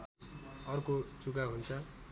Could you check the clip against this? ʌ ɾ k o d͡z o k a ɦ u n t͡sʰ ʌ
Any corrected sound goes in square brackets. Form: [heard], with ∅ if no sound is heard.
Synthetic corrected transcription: ʌ [r] k o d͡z [u] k a ɦ u n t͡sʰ ʌ